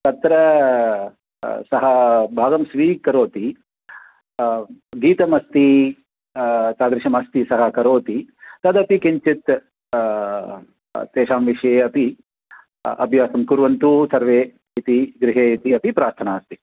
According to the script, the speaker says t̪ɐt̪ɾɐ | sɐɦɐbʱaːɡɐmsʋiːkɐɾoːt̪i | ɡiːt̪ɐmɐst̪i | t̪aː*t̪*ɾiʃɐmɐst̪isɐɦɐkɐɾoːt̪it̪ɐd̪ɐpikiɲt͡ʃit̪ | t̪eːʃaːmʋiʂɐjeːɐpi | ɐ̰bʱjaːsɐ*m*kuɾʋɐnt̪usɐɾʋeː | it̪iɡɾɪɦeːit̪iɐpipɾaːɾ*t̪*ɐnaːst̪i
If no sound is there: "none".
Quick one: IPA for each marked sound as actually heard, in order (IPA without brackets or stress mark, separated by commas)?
d̪, m, t̪ʰ